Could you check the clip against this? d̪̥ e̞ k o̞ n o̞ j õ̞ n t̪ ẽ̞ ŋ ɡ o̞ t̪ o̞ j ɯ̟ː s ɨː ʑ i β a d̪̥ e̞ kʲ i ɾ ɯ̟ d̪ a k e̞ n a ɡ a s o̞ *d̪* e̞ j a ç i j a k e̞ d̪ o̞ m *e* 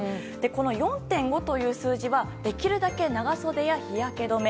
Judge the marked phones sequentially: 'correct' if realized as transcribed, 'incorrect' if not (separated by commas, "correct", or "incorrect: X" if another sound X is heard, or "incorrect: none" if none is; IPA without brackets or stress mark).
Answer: correct, correct